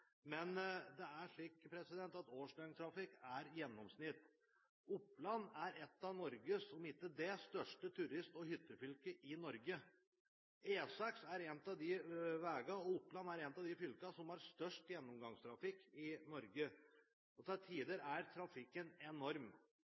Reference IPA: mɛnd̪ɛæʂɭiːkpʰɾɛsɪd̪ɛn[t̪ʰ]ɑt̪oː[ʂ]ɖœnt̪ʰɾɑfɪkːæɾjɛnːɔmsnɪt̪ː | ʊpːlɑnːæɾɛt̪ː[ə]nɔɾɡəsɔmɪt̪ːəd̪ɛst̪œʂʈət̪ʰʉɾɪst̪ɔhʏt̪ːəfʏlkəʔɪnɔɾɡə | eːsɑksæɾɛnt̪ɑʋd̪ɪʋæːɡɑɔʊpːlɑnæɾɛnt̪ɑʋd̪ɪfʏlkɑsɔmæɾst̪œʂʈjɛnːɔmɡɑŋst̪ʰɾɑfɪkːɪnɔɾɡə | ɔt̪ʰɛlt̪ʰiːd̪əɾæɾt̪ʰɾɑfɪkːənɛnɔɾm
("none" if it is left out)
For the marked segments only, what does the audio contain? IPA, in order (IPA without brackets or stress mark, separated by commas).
t̪, ʂ, ɑ